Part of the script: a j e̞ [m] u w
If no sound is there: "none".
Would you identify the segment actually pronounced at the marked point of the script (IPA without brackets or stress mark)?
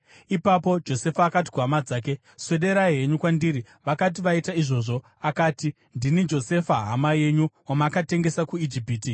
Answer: ɲ